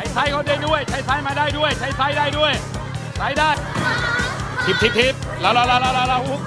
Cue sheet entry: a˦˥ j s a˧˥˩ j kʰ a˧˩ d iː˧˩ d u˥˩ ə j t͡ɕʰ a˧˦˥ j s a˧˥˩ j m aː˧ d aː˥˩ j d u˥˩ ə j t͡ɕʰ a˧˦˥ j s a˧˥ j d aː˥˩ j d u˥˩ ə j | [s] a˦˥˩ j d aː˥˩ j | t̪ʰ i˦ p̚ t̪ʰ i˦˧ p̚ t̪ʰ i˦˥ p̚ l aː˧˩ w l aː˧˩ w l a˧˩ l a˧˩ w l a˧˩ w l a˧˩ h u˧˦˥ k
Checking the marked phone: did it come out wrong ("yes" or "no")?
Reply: no